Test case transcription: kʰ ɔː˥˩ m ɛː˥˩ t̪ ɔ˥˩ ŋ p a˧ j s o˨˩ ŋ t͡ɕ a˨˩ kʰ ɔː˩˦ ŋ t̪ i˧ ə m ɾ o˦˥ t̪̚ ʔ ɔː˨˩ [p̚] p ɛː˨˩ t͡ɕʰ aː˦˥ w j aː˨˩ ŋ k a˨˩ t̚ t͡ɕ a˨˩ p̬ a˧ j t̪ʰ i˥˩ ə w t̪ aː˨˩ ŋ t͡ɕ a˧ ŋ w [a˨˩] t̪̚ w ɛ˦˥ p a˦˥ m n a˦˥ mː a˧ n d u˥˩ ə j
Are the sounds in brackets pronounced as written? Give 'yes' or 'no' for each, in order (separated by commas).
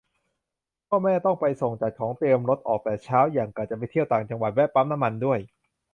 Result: no, yes